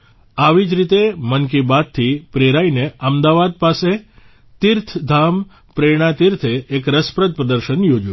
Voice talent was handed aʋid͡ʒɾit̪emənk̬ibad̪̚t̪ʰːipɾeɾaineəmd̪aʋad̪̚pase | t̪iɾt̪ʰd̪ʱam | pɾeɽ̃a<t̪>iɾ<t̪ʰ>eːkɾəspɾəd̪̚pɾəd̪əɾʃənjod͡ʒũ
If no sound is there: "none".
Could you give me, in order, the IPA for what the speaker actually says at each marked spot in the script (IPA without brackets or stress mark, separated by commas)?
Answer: t̪, t̪ʰ